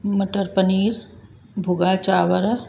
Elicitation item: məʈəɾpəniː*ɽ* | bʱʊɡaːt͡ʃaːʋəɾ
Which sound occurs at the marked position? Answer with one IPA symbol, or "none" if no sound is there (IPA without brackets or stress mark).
ɾ